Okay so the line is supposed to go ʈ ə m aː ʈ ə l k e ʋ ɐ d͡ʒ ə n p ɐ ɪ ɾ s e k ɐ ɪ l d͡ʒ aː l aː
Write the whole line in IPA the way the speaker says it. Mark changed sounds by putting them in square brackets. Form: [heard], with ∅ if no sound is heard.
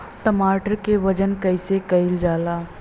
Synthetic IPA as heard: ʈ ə m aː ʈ ə [ɾ] k e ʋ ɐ d͡ʒ ə n [k] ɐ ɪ [∅] s e k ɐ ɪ l d͡ʒ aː l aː

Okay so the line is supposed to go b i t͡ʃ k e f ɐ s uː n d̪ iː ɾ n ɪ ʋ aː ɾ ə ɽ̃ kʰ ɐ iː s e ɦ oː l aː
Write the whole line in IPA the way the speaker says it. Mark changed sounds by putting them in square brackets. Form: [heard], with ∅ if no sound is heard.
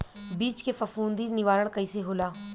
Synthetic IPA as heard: b [iː] t͡ʃ k e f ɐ [f] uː n d̪ iː ɾ n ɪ ʋ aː ɾ ə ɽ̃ [k] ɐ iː s e ɦ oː l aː

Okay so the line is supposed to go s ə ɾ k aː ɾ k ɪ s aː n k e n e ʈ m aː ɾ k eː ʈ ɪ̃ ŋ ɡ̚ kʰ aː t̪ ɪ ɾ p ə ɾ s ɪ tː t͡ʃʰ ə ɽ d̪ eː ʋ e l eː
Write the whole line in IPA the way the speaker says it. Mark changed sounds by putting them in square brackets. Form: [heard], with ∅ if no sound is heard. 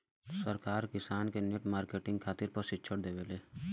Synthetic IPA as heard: s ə ɾ k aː ɾ k ɪ s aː n k e n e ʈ m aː ɾ k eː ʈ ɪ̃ ŋ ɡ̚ kʰ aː t̪ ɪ ɾ p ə ɾ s ɪ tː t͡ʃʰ ə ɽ d̪ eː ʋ e l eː

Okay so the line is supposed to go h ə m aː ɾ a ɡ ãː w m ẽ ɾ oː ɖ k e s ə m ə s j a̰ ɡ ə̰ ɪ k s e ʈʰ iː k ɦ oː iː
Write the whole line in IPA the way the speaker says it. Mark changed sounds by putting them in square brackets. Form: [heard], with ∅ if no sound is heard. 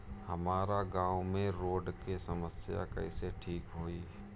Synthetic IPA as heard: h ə m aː ɾ a ɡ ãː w m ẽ ɾ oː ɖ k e s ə m ə s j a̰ [k] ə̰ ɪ [∅] s e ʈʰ iː k ɦ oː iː

